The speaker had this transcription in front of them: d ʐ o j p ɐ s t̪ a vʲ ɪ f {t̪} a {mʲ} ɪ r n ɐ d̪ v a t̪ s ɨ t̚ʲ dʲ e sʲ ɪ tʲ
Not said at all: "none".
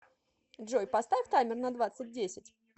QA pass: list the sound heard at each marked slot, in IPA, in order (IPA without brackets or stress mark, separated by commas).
t̪, mʲ